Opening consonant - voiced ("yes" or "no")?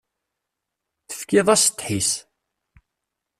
no